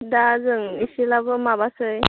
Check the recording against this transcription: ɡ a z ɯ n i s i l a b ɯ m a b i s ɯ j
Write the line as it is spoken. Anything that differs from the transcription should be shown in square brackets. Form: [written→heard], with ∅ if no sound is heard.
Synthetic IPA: [ɡ→d] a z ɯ [n→ŋ] i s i l a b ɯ m a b [i→a] s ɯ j